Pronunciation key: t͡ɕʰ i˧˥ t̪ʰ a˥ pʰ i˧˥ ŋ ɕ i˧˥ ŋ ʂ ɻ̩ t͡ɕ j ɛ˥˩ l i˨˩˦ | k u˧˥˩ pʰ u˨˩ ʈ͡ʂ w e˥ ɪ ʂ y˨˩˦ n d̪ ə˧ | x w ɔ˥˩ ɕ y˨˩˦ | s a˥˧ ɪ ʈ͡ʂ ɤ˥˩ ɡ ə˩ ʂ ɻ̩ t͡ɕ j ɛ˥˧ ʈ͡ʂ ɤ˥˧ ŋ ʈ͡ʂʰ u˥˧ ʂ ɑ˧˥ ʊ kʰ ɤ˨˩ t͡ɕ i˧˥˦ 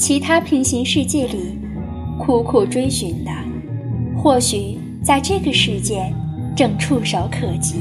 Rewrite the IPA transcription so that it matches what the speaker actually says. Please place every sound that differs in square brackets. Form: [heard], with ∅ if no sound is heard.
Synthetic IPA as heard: t͡ɕʰ i˧˥ t̪ʰ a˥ pʰ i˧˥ ŋ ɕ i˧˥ ŋ ʂ ɻ̩ t͡ɕ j ɛ˥˩ l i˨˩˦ | [kʰ] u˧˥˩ [kʰ] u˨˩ ʈ͡ʂ w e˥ ɪ [ɕ] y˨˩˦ n d̪ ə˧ | x w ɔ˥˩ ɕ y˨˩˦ | [t͡s] a˥˧ ɪ ʈ͡ʂ ɤ˥˩ ɡ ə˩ ʂ ɻ̩ t͡ɕ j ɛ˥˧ ʈ͡ʂ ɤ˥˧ ŋ ʈ͡ʂʰ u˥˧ ʂ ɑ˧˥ ʊ kʰ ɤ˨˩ t͡ɕ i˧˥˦